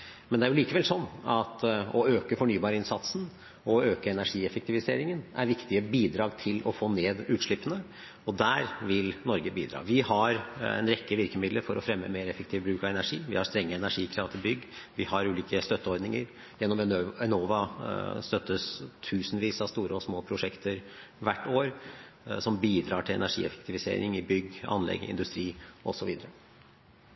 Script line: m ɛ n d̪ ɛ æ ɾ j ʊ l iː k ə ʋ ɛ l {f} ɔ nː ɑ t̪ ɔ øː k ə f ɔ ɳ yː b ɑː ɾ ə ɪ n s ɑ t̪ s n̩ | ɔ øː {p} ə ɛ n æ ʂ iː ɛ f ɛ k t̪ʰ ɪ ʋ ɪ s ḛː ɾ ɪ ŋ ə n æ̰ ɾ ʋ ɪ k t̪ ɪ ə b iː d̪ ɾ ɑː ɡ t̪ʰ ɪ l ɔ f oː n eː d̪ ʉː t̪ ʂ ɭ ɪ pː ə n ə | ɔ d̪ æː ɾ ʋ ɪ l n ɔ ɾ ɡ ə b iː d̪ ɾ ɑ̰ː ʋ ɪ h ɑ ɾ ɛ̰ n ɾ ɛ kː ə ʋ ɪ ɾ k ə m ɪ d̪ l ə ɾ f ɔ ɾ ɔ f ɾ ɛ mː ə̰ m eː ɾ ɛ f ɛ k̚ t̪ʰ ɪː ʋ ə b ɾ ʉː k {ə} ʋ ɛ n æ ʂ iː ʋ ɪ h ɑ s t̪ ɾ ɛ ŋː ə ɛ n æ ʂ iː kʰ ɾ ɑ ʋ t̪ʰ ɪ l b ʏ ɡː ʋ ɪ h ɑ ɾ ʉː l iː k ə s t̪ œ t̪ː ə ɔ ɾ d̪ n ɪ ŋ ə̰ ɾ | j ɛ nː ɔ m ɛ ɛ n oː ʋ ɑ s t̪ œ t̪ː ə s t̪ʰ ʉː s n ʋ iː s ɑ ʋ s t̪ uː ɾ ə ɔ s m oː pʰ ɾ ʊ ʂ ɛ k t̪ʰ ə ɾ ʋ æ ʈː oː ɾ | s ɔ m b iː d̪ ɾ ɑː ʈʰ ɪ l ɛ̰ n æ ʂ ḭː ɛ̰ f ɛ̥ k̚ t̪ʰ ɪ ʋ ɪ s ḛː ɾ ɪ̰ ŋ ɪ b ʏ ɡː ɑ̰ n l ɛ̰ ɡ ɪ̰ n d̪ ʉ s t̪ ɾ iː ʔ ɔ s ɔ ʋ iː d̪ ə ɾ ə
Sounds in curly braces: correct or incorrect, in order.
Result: incorrect, incorrect, incorrect

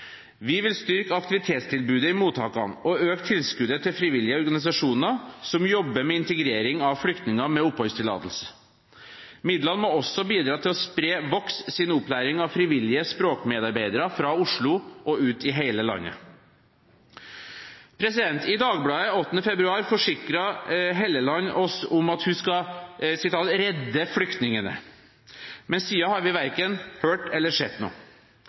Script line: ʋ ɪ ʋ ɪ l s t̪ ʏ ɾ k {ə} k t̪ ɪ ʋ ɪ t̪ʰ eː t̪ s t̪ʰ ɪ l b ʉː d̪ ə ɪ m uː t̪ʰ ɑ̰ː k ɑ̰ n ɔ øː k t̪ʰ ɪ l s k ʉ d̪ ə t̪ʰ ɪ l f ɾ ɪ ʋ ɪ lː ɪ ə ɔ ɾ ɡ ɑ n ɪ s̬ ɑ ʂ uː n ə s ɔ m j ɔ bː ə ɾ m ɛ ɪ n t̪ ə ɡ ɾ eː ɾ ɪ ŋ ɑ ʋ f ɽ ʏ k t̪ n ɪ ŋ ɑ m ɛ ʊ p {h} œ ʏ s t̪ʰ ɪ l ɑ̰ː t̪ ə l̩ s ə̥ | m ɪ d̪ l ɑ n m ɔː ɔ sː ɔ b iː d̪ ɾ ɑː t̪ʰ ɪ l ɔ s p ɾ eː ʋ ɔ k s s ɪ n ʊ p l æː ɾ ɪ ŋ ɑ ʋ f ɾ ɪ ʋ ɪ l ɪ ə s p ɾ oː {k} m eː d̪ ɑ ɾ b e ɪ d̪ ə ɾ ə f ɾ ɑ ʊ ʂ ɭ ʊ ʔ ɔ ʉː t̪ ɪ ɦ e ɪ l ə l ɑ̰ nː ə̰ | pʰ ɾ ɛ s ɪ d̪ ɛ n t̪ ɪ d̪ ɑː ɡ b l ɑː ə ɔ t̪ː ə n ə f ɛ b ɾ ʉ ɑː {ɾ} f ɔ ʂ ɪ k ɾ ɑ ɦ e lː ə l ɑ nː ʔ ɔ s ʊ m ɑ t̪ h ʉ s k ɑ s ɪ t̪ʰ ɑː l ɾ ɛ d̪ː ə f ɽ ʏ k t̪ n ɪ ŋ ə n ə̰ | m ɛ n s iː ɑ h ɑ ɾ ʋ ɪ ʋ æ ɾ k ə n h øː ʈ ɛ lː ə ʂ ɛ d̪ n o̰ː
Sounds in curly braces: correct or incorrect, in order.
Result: incorrect, correct, correct, correct

